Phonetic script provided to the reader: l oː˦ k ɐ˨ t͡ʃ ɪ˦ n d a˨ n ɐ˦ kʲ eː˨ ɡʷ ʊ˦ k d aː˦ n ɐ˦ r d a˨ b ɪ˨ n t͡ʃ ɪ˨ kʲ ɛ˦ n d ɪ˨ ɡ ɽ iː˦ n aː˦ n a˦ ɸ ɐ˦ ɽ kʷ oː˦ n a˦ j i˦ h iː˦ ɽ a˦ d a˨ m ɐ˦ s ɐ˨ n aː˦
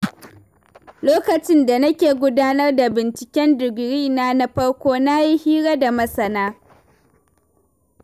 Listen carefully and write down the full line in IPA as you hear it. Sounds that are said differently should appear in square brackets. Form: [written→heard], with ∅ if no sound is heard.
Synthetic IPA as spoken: l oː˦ k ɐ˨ t͡ʃ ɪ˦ n d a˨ n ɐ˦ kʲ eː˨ ɡʷ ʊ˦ [k→∅] d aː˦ n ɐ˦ r d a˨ b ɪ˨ n t͡ʃ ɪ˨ kʲ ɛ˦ n d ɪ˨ ɡ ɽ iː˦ n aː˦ n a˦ ɸ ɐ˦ ɽ kʷ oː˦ n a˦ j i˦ h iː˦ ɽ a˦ d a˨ m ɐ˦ s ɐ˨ n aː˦